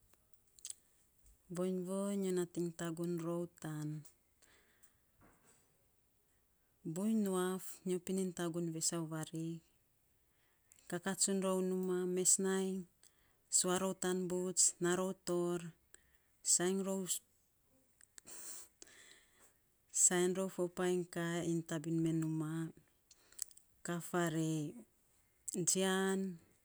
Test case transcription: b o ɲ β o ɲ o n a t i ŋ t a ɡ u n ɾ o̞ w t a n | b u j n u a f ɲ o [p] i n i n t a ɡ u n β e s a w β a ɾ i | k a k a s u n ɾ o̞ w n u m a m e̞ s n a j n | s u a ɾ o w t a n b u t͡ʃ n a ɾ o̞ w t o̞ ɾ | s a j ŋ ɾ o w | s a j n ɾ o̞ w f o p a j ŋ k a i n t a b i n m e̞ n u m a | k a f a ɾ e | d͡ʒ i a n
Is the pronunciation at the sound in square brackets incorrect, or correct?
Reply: correct